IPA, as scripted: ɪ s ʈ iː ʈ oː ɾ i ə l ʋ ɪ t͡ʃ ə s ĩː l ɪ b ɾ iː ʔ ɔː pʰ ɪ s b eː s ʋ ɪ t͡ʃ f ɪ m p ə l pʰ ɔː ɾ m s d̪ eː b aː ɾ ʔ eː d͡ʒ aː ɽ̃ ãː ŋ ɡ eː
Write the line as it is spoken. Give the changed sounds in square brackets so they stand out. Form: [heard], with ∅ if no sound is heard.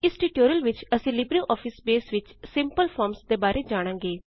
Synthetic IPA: ɪ s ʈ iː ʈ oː ɾ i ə l ʋ ɪ t͡ʃ ə s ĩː l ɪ b ɾ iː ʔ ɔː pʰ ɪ s b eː s ʋ ɪ t͡ʃ [s] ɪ m p ə l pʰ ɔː ɾ m s d̪ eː b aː ɾ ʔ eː d͡ʒ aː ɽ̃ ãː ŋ ɡ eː